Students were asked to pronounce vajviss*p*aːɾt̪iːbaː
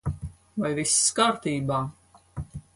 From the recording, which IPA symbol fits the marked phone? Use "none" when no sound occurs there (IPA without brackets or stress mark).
k